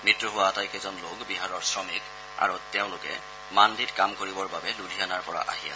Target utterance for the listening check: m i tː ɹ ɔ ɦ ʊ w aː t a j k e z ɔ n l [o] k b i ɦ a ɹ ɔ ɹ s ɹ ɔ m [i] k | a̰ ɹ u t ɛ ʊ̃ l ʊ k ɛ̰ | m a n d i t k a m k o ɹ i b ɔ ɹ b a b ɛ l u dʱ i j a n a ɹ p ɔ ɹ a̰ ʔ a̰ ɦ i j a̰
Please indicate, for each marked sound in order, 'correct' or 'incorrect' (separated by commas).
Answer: correct, correct